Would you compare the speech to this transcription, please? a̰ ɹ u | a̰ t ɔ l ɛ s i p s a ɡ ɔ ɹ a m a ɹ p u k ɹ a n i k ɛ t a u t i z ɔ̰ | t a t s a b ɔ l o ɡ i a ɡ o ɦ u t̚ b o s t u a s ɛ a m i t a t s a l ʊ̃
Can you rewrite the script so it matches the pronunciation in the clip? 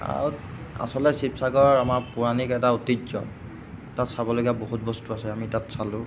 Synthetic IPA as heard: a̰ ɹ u | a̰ s ɔ l ɛ s i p s a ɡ ɔ ɹ a m a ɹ p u ɹ a n i k ɛ t a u t i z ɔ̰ | t a t s a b ɔ l o ɡ i a b o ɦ u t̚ b ɔ s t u a s ɛ a m i t a t s a l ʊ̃